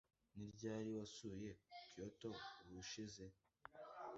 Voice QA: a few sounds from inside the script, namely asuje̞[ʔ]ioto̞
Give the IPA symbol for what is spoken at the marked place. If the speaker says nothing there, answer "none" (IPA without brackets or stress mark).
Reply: k